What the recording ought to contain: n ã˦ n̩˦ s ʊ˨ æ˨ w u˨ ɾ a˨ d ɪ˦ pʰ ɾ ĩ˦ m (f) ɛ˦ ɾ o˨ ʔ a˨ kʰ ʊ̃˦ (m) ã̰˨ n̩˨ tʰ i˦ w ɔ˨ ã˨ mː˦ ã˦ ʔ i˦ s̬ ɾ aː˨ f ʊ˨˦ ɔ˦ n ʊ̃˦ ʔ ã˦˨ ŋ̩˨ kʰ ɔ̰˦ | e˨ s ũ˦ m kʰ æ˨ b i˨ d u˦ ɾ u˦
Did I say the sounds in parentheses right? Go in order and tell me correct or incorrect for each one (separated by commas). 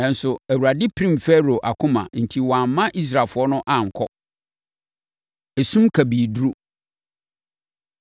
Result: correct, correct